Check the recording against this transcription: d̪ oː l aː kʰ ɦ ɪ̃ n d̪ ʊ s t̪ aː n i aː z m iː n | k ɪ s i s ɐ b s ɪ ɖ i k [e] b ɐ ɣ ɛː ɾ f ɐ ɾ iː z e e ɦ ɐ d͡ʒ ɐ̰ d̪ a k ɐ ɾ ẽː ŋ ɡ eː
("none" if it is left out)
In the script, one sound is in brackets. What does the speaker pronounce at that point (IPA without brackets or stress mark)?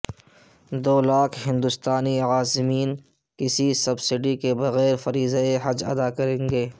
e